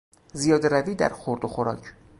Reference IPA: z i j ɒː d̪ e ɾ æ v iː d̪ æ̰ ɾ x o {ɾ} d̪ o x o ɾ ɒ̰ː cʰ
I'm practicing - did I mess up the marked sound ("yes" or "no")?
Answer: no